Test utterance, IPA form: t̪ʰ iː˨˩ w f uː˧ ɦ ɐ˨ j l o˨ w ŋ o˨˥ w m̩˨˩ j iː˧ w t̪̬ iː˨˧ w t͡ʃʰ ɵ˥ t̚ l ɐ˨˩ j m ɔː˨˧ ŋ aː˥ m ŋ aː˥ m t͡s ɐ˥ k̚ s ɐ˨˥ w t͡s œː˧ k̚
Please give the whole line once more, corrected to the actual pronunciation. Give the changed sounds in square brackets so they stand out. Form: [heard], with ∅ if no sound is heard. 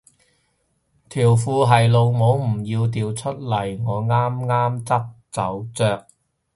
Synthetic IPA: t̪ʰ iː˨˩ w f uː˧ ɦ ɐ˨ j l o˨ w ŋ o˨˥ w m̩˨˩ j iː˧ w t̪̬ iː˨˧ w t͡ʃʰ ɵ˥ t̚ l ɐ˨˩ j [ŋ] ɔː˨˧ ŋ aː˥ m ŋ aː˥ m t͡s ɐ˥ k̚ [t͡s] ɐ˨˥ w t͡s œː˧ k̚